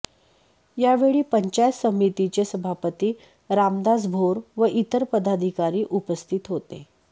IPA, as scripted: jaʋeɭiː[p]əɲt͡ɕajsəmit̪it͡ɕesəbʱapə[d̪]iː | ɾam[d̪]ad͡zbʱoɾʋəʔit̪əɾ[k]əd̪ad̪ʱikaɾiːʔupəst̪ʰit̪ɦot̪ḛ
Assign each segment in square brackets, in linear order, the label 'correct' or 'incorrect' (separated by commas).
correct, incorrect, correct, incorrect